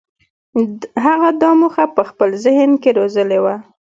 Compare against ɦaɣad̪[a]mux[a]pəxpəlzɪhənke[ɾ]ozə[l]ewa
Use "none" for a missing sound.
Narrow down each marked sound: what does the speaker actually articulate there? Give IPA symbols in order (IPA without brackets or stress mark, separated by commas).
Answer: ɑ, a, ɾ, l